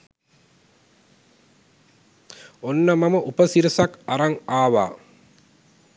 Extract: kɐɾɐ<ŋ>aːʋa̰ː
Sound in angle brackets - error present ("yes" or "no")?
no